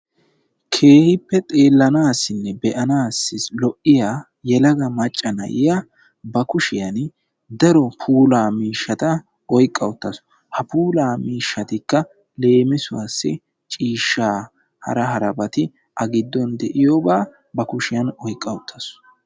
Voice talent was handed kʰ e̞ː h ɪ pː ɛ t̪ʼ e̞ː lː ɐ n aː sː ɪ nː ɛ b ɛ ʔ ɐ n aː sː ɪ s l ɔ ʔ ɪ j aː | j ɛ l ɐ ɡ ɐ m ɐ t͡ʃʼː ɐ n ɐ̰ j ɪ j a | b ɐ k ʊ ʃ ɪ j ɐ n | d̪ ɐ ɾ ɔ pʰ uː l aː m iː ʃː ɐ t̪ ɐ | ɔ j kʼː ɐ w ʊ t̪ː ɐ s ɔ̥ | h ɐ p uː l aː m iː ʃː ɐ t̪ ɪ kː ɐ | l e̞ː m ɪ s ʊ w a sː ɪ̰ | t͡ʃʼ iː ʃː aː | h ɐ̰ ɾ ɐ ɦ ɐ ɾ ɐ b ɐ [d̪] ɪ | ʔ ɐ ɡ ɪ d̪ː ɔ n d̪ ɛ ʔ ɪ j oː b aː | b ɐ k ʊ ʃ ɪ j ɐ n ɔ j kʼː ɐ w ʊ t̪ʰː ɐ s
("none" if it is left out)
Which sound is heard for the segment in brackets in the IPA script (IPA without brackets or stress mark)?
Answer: t̪